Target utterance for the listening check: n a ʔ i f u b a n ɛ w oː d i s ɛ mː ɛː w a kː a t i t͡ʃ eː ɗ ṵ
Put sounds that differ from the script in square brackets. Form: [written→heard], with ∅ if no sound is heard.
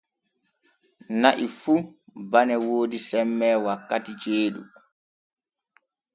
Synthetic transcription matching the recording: n a ʔ i f u b a n ɛ w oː d i s ɛ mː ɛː w a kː a t i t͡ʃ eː ɗ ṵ